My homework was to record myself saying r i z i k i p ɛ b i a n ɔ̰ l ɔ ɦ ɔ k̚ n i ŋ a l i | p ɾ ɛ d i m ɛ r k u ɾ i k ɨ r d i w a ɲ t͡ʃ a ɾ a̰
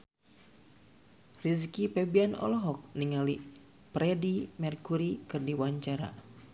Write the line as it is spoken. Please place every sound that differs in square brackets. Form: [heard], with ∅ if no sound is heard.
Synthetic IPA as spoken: r i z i k i p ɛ b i a n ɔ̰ l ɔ ɦ ɔ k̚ n i ŋ a l i | p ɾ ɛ d i m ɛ r k u ɾ i k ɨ r d i w a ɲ t͡ʃ a ɾ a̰